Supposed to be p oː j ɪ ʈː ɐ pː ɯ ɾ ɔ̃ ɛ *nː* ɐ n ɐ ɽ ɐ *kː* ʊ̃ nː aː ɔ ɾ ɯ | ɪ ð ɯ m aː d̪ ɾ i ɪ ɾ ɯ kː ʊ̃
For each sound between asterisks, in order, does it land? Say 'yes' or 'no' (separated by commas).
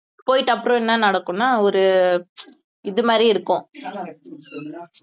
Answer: yes, yes